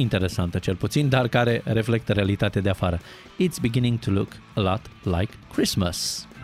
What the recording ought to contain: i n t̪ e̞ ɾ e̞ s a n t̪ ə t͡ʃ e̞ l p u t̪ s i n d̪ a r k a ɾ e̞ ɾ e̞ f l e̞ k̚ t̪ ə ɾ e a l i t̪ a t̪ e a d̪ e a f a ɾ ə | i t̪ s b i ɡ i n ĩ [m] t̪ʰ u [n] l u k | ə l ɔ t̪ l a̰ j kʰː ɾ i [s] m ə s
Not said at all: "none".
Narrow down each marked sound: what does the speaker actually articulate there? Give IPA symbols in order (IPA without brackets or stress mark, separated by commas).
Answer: ŋ, none, s